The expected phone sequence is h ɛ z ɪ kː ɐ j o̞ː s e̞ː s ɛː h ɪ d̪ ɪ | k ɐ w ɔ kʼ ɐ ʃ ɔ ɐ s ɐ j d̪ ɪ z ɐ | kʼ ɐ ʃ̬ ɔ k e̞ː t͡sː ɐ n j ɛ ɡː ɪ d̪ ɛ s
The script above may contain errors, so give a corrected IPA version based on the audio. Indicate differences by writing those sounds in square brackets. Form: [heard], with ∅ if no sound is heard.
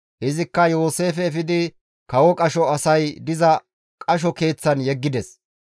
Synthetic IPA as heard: h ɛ z ɪ kː ɐ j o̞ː s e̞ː [f] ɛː [f] ɪ d̪ ɪ | k ɐ w ɔ kʼ ɐ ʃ ɔ ɐ s ɐ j d̪ ɪ z ɐ | kʼ ɐ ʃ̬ ɔ k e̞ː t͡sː ɐ n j ɛ ɡː ɪ d̪ ɛ s